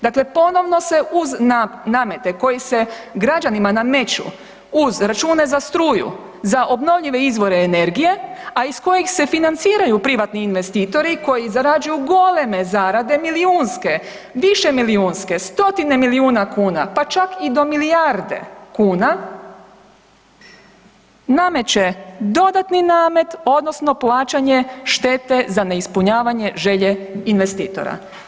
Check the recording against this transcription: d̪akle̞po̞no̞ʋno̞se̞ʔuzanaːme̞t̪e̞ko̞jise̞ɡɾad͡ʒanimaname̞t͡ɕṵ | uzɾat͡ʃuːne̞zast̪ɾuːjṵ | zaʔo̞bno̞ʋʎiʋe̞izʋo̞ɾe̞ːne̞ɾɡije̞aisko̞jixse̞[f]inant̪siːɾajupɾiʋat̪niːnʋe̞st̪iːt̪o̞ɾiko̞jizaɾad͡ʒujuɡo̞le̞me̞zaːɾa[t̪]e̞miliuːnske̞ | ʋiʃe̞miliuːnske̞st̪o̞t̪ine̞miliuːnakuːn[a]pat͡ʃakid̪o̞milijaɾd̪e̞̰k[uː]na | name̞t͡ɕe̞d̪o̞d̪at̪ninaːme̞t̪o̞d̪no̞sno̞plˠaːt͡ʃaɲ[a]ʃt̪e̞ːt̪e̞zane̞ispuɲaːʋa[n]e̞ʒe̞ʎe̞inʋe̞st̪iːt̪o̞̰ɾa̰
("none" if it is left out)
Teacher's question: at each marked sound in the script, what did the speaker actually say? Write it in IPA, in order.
f, d̪, a, uː, e, ɲ

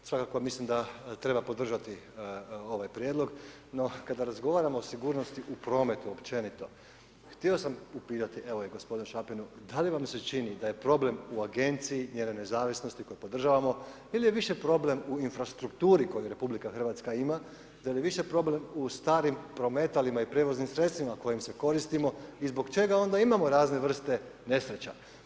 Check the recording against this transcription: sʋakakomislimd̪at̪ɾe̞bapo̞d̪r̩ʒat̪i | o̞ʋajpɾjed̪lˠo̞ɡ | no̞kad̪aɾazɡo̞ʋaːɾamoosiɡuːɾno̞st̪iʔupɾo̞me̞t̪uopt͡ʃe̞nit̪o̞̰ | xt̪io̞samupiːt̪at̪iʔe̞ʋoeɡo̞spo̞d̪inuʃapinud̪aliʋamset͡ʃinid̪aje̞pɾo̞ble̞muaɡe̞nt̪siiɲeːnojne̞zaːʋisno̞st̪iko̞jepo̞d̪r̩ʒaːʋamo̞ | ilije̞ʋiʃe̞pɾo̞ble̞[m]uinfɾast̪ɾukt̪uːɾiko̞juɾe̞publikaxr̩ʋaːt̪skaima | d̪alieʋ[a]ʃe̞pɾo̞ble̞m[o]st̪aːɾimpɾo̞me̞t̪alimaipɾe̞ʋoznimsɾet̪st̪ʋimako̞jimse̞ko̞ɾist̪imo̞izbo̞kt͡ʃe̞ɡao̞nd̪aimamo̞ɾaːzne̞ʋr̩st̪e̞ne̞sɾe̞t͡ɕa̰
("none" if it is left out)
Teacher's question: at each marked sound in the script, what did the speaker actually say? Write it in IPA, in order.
m, i, u

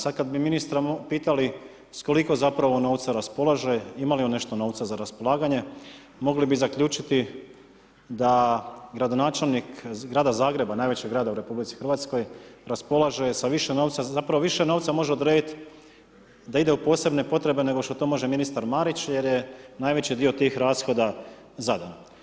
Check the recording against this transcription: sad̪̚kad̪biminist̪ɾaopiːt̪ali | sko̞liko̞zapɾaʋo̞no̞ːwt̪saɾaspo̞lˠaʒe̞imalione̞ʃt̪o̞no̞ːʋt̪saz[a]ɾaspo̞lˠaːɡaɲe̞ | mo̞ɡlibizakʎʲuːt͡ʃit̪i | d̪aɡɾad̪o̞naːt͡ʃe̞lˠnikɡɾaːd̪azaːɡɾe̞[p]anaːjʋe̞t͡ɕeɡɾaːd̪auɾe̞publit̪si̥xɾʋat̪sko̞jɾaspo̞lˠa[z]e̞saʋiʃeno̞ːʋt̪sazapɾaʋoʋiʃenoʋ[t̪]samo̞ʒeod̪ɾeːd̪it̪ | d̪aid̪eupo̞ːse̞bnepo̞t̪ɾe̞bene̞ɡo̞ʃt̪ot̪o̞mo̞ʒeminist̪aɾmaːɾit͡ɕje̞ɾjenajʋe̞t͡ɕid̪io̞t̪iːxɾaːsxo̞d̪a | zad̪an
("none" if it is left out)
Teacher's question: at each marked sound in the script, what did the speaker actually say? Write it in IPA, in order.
a, b, ʒ, t̪

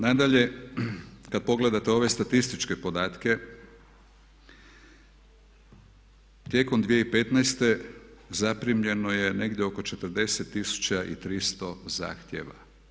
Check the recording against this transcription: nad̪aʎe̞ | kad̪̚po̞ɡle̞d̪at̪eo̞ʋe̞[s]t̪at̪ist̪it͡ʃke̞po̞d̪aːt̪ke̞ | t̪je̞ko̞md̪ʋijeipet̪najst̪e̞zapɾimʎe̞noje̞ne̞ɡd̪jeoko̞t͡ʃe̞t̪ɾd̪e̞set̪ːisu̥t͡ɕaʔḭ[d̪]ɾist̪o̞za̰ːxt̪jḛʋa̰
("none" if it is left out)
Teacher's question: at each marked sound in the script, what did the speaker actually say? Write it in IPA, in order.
s, t̪

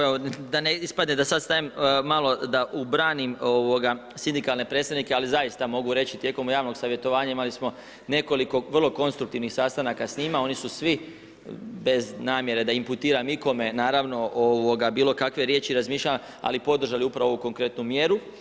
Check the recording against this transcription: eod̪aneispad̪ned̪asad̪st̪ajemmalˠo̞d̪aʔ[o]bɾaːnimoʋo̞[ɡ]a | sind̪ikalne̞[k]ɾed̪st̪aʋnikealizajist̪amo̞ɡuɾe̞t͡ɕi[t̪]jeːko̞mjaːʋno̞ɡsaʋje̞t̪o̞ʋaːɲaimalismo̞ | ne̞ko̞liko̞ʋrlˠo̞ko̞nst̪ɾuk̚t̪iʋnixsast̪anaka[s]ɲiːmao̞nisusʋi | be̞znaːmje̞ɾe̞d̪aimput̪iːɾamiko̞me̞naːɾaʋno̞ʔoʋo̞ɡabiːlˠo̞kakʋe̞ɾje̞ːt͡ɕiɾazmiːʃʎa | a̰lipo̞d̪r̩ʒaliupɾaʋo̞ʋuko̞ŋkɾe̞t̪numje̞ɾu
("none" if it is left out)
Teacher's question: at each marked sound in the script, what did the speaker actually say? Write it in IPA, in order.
u, ɡ, p, t̪, s

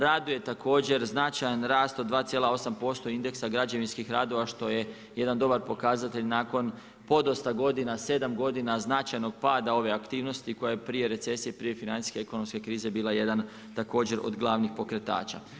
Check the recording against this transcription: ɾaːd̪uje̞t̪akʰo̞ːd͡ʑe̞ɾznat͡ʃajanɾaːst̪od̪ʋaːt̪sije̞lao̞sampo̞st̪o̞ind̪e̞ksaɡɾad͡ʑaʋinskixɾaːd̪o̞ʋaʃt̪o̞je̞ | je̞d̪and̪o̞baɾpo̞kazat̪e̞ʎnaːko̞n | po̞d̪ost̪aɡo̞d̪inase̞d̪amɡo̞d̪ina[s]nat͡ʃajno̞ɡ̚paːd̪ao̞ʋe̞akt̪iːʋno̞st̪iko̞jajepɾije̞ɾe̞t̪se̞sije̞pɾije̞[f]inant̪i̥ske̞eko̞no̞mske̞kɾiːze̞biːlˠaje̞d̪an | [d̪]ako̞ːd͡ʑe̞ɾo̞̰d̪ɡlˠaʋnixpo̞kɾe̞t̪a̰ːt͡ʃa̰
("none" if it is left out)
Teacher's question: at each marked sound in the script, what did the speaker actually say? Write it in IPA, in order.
z, f, t̪

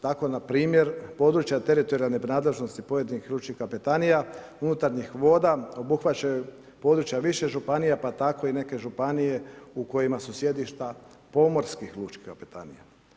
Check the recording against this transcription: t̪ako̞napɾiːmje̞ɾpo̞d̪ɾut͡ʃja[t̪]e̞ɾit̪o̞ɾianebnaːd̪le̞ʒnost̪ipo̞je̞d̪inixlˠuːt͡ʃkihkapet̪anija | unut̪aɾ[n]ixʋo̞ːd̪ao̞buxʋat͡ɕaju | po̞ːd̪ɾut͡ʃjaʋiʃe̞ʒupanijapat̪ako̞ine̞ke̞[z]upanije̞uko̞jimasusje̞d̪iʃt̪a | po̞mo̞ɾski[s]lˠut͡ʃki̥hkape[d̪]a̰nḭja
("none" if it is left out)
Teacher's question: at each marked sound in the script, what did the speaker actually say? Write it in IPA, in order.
t̪, ɲ, ʒ, x, t̪

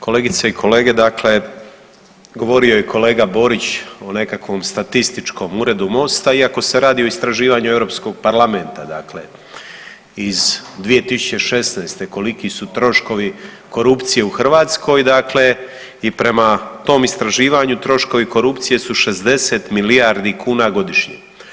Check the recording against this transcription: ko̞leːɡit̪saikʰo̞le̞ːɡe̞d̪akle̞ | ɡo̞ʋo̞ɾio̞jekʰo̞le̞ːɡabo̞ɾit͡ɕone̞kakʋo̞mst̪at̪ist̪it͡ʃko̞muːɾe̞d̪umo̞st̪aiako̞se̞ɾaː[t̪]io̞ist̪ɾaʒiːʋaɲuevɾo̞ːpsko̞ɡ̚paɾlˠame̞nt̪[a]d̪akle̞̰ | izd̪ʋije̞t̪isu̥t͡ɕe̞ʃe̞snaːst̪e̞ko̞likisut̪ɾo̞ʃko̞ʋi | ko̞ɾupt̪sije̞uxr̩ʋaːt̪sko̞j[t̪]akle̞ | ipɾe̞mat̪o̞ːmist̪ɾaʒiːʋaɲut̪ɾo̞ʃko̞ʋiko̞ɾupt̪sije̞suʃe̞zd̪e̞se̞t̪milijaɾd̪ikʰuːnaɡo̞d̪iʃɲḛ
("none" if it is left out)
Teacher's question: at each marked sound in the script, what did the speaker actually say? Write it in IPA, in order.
d̪, a, d̪

